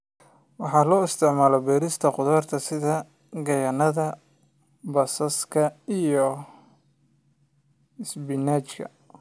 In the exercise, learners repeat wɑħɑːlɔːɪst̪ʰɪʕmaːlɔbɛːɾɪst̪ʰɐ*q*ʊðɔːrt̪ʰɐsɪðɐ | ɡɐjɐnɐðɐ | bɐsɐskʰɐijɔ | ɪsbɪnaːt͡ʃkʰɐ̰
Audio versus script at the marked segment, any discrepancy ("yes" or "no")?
no